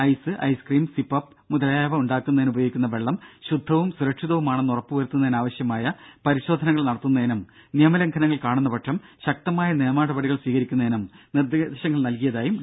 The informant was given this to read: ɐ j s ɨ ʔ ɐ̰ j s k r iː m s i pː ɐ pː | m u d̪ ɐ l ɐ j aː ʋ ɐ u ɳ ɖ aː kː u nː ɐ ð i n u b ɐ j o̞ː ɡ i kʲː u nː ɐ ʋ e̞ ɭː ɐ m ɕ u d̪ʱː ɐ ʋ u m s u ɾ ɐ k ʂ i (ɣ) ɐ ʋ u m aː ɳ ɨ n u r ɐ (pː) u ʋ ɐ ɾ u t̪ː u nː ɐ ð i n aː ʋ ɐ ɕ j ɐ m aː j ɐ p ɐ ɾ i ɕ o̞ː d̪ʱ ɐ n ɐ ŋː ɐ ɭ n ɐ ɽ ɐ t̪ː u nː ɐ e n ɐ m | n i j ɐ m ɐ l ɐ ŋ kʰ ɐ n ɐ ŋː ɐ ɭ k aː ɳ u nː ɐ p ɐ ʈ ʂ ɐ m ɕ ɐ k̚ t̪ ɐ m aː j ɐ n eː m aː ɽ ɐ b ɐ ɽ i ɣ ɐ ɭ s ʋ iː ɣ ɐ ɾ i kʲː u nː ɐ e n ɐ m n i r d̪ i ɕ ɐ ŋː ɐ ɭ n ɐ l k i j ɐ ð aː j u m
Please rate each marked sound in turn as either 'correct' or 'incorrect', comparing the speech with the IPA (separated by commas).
incorrect, correct